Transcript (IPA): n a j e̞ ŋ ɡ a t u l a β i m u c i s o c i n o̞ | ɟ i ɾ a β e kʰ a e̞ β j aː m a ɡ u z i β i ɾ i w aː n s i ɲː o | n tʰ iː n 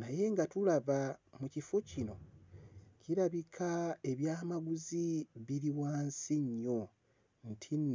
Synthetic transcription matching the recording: n a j e̞ ŋ ɡ a t u l a β a m u c i f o c i n o̞ | c i ɾ a β i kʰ a e̞ β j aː m a ɡ u z i β i ɾ i w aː n s i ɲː o | n tʰ i n